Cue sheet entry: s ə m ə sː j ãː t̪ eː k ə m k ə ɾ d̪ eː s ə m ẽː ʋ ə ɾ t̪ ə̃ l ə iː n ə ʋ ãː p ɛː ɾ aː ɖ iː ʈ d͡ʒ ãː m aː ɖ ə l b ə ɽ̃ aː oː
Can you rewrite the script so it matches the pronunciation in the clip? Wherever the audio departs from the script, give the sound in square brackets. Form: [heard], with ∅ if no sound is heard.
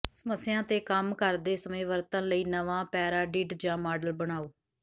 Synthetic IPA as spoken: s ə m ə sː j ãː t̪ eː k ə m k ə ɾ d̪ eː s ə m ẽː ʋ ə ɾ t̪ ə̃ l ə iː n ə ʋ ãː p ɛː ɾ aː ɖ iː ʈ d͡ʒ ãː m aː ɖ ə l b ə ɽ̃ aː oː